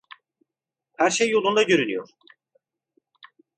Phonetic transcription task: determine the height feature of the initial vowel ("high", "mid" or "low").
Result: low